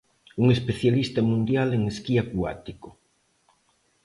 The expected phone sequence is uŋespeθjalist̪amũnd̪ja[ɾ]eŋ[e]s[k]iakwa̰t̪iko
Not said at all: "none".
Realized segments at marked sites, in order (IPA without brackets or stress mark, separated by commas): l, e, k